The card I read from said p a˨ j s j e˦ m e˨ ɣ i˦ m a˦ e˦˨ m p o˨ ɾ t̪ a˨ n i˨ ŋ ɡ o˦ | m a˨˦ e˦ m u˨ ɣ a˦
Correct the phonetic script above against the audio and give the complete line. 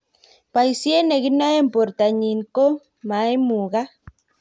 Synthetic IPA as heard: p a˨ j s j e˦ n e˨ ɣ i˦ n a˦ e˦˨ m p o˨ ɾ t̪ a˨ ɲ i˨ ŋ k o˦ | m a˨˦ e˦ m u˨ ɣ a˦